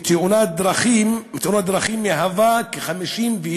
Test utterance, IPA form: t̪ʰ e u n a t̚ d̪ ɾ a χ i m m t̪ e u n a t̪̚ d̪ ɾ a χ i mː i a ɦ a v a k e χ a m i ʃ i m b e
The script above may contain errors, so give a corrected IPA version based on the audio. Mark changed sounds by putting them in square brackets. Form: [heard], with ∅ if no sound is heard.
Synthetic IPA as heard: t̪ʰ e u n a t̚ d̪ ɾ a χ i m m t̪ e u n a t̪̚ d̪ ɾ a χ i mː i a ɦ a v a k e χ a m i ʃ i m [v] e